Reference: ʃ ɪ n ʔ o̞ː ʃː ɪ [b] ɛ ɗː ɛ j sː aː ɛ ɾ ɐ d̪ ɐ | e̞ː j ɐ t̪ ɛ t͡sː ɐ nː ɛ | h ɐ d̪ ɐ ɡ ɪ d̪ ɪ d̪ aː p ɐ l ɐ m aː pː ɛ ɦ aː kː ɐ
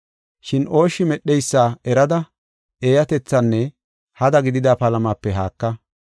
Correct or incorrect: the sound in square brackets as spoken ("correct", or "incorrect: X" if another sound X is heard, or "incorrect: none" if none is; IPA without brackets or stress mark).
incorrect: m